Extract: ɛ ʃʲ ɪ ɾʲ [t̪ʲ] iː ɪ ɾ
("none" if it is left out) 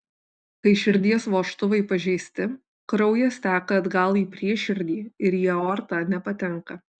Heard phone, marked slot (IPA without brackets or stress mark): d̪ʲ